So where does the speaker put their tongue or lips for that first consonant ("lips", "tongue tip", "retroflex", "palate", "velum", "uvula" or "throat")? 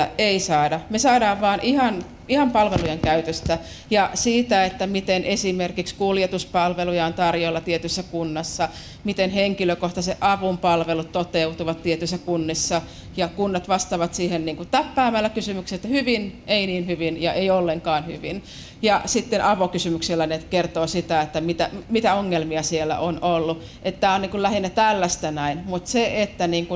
tongue tip